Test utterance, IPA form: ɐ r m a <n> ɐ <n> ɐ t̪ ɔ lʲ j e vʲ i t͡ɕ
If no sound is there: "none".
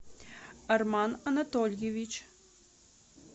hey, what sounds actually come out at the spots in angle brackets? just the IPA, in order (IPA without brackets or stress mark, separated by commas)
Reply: n, n